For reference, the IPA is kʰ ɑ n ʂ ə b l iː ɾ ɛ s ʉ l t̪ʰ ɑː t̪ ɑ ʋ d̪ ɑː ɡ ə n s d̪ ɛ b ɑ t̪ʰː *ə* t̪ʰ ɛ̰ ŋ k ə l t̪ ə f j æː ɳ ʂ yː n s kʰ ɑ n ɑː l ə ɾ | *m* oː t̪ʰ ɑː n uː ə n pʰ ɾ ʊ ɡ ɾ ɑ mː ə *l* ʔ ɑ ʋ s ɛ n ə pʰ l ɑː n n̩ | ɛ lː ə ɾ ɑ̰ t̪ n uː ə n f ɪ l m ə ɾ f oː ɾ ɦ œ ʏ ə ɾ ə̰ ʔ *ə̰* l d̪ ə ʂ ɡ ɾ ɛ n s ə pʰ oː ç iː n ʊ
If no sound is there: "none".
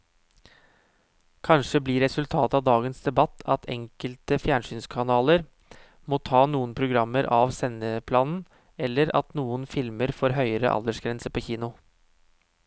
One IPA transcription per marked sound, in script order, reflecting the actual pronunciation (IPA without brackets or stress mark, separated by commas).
ɑ, m, ɾ, ɑ̰